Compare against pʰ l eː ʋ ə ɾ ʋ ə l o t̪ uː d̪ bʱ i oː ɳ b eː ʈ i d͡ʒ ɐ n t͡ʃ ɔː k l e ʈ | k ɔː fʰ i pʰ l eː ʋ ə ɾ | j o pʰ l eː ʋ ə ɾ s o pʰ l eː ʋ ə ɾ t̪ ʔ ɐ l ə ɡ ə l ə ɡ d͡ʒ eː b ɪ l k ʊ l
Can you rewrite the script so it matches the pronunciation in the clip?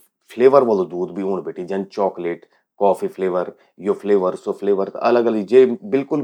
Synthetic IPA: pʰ l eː ʋ ə ɾ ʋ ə l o d̪ uː d̪ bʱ i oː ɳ b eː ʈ i d͡ʒ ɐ n t͡ʃ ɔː k l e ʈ | k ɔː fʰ i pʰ l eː ʋ ə ɾ | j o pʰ l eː ʋ ə ɾ s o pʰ l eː ʋ ə ɾ t̪ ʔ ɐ l ə ɡ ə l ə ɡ d͡ʒ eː b ɪ l k ʊ l